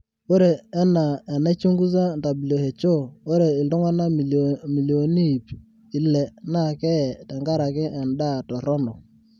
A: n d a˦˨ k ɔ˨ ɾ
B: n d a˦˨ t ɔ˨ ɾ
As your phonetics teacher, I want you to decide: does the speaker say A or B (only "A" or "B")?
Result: B